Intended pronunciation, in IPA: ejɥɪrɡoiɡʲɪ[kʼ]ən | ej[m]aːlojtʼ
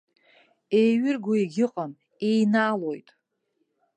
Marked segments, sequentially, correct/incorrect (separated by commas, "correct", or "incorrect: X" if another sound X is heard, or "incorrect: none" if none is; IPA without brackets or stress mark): incorrect: qʼ, incorrect: n